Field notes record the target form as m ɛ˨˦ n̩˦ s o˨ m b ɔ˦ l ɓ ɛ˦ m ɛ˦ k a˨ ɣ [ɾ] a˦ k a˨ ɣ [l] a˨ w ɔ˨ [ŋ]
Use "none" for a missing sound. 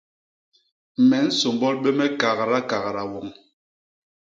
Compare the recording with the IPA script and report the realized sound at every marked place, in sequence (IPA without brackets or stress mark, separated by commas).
ɾ, ɾ, ŋ